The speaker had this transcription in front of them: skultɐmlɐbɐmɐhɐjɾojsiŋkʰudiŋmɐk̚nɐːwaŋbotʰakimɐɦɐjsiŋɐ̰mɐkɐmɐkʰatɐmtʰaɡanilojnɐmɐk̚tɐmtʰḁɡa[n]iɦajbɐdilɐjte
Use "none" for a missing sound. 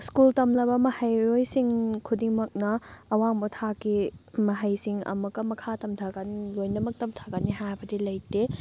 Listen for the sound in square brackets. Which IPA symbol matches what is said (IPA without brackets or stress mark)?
n